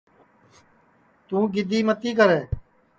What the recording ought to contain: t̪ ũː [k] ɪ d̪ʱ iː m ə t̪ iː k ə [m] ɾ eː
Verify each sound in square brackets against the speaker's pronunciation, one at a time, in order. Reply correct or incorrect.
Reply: incorrect, incorrect

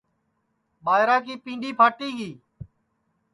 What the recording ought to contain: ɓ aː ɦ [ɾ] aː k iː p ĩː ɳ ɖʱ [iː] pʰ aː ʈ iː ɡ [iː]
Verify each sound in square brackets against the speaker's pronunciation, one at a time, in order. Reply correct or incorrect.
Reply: correct, correct, correct

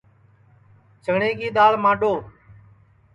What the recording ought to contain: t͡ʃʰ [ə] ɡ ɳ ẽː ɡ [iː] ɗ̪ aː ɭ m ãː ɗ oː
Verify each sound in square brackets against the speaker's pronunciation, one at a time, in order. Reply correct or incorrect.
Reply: correct, correct

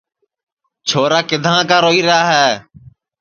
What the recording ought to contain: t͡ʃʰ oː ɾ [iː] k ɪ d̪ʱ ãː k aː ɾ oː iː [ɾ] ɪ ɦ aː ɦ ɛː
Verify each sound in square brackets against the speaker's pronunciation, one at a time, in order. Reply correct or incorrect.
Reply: incorrect, correct

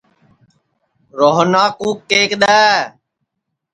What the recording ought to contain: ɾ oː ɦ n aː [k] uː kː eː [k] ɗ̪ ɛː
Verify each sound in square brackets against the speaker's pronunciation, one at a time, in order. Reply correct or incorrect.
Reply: correct, correct

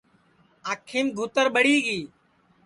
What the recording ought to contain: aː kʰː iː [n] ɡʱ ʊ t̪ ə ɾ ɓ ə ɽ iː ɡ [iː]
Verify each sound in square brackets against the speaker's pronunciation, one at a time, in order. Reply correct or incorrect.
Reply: incorrect, correct

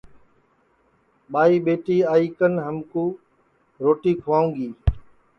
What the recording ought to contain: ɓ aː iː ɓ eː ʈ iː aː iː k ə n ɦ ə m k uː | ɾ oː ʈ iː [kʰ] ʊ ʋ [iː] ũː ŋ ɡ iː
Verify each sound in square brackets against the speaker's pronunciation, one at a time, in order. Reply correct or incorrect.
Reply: correct, incorrect

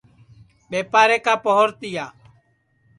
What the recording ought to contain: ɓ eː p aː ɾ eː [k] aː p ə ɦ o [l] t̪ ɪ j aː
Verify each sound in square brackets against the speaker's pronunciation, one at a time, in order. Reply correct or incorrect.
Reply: correct, incorrect

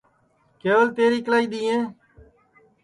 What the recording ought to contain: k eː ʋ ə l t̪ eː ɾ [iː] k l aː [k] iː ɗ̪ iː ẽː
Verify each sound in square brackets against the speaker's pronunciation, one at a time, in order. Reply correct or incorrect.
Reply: correct, incorrect

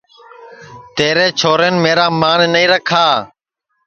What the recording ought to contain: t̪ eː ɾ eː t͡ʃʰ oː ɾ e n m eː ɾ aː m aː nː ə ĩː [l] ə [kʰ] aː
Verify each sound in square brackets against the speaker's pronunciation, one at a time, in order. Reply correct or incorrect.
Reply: incorrect, correct

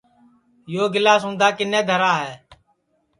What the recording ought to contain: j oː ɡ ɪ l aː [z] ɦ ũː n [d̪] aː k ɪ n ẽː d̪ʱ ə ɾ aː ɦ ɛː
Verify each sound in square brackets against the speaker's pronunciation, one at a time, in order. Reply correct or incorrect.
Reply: incorrect, correct

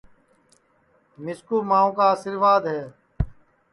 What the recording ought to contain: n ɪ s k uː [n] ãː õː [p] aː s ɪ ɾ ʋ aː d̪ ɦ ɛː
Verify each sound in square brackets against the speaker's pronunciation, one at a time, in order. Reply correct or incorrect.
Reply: incorrect, incorrect

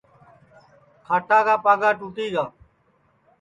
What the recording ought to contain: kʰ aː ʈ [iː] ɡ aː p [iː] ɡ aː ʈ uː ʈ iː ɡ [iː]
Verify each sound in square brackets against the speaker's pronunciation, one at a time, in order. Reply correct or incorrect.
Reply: incorrect, incorrect, incorrect

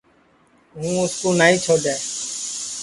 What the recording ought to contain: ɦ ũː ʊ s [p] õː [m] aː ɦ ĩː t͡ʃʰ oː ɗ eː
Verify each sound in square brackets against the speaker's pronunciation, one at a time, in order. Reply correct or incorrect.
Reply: incorrect, incorrect

